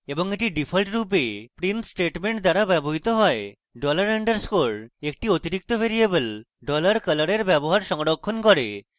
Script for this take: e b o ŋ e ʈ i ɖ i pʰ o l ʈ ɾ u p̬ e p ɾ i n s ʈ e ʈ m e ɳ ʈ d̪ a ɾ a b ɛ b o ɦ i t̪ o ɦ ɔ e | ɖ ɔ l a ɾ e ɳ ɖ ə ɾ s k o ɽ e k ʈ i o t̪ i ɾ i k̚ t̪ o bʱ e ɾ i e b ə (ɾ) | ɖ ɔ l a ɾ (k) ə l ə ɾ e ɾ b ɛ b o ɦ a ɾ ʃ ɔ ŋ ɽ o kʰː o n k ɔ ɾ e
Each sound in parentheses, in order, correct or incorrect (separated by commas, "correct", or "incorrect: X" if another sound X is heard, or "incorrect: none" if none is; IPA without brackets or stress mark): incorrect: l, correct